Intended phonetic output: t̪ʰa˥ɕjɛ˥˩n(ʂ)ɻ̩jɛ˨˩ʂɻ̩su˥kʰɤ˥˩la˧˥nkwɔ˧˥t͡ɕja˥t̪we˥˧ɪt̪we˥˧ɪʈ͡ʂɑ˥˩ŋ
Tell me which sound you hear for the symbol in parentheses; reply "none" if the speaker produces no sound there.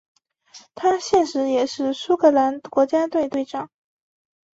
ʂ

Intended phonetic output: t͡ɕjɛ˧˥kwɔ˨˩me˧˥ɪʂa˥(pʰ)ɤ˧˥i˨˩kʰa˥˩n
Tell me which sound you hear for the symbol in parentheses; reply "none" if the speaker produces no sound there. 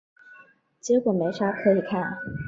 kʰ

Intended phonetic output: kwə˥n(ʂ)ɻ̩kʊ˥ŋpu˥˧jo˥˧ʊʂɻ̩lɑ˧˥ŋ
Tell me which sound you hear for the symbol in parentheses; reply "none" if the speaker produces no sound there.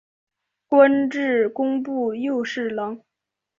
ʈ͡ʂ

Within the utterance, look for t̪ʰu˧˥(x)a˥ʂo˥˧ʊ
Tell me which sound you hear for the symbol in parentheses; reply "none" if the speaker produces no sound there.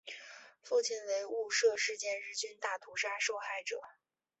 ʂ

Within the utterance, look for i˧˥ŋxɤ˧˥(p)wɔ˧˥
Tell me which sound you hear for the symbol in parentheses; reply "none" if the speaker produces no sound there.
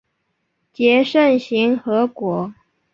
k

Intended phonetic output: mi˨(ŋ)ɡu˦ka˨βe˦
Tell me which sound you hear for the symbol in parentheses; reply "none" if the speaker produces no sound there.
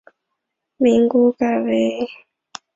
ŋ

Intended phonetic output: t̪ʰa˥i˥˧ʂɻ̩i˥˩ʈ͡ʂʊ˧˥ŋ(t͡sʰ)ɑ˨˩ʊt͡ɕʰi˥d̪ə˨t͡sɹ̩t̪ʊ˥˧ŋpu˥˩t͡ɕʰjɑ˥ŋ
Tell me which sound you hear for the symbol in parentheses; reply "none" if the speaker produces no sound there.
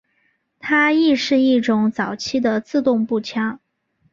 t͡s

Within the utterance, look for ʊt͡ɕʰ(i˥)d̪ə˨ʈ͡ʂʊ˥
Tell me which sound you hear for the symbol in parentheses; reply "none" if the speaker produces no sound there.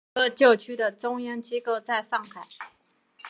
y˥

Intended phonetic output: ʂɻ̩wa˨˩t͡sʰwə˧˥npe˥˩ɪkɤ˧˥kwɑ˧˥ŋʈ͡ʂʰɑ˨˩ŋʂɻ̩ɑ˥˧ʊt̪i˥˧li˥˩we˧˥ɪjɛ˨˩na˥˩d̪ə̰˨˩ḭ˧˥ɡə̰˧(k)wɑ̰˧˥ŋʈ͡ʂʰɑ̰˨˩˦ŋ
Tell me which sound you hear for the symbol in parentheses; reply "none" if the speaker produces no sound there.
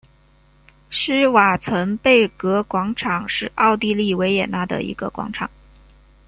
k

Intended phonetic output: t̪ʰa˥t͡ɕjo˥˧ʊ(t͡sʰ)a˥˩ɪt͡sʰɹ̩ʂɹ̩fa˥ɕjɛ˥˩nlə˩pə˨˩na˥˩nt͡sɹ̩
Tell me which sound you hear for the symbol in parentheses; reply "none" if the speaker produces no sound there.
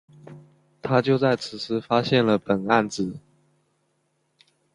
t͡s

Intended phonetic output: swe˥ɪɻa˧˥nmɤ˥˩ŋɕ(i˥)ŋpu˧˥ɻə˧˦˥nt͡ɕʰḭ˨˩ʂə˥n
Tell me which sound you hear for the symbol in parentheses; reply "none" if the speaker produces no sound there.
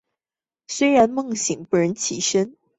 i˨˩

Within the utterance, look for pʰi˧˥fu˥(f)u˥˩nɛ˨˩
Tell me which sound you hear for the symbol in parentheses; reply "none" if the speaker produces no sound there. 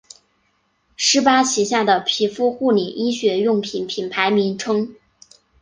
x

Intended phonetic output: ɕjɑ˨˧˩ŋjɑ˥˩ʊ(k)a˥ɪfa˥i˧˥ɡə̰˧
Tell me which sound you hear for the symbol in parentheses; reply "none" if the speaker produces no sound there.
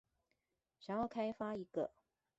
kʰ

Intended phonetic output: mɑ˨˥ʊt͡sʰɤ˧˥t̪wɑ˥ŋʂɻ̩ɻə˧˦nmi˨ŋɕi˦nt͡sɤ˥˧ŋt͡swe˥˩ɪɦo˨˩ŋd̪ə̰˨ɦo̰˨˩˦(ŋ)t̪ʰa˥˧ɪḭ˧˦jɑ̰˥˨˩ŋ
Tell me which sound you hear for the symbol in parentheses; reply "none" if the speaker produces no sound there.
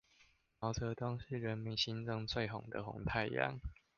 ŋ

